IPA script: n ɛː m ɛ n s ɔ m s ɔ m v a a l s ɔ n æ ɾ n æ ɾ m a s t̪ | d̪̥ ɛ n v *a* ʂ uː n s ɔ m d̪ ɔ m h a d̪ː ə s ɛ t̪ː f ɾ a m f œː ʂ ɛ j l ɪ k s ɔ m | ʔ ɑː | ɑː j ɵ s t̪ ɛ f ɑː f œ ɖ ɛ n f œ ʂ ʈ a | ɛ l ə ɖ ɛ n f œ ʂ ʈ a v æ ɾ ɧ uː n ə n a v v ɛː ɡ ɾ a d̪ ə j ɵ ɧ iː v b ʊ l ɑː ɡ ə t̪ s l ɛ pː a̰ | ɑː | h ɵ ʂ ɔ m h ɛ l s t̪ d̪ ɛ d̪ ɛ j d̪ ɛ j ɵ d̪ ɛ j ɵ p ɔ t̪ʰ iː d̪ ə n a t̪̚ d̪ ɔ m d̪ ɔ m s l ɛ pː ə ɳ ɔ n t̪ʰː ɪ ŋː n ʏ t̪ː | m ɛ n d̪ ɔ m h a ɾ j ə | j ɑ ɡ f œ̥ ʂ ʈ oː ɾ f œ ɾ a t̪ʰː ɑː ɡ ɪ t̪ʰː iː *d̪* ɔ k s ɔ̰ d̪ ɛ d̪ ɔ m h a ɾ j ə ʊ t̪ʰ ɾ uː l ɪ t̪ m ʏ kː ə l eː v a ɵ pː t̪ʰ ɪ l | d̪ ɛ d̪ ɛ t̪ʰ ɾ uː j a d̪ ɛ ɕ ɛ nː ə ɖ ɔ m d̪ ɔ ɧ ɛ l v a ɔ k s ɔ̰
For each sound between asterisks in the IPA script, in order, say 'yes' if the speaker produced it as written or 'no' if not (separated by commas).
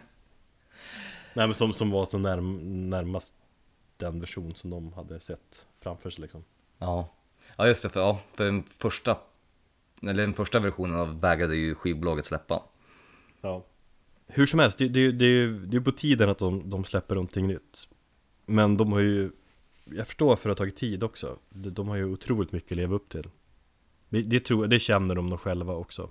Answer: no, yes